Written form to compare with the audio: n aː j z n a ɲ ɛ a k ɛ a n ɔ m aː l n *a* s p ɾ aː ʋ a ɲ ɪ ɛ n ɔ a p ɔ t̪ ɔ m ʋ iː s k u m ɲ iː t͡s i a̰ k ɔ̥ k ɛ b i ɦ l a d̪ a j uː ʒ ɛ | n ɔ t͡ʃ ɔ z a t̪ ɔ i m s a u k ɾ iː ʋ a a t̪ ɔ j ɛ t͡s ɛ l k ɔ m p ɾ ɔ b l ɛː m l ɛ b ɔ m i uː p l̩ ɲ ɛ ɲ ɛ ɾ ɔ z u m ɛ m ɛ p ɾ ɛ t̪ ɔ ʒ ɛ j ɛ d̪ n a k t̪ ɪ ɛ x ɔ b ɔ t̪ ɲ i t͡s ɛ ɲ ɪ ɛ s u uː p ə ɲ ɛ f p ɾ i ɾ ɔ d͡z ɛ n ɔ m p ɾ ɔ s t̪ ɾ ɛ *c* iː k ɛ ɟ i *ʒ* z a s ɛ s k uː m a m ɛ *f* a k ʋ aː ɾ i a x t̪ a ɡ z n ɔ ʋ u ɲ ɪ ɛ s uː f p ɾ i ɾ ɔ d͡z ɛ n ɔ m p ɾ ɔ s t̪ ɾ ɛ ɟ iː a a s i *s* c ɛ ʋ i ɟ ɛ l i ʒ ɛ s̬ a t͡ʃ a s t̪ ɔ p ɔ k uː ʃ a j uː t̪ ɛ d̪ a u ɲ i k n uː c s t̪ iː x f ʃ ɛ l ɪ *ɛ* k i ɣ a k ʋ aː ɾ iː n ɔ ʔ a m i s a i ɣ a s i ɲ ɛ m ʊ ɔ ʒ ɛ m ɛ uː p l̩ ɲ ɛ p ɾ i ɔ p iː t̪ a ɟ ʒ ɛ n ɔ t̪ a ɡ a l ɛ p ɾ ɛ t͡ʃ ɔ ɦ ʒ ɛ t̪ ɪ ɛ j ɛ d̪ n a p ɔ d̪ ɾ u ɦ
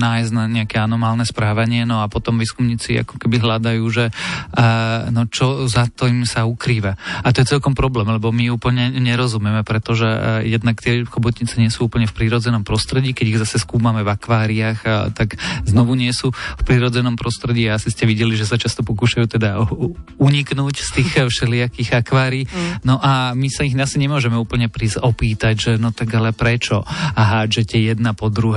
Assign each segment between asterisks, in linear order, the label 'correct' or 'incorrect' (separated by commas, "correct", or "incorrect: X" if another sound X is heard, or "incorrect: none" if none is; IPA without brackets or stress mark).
incorrect: ɛ, incorrect: ɟ, incorrect: ɣ, incorrect: v, correct, incorrect: a